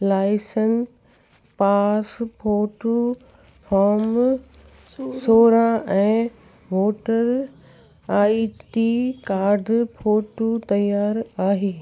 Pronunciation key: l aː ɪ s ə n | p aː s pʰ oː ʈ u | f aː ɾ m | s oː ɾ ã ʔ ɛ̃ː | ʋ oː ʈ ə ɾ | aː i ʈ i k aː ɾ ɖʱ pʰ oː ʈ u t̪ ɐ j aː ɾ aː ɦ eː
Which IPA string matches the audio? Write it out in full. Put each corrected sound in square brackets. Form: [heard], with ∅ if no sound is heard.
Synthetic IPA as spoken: l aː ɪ s ə n | p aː s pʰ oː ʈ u | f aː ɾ m | s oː ɾ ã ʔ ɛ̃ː | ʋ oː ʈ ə ɾ | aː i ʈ i k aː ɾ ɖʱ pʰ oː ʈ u t̪ ɐ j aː ɾ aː ɦ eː